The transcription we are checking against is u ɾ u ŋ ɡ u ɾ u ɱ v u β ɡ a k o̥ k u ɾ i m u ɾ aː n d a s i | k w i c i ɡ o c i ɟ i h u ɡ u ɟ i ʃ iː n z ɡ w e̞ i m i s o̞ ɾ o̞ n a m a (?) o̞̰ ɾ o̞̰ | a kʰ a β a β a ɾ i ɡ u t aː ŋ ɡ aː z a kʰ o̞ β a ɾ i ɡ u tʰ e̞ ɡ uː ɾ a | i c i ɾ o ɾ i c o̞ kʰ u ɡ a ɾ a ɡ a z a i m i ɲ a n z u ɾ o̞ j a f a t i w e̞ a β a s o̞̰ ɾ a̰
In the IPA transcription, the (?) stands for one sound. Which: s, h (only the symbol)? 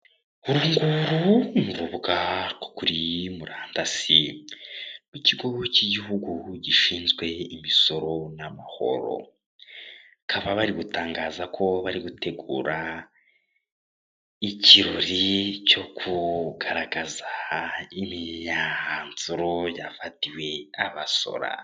h